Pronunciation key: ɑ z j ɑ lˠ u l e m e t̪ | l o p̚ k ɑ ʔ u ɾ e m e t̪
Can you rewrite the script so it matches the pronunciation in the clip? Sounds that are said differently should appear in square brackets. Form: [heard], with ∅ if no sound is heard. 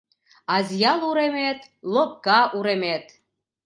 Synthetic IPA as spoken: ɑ z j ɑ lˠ u [ɾ] e m e t̪ | l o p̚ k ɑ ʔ u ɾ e m e t̪